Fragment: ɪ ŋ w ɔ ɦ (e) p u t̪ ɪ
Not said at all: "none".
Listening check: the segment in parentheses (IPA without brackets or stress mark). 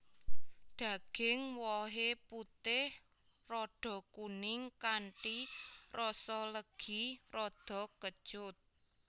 e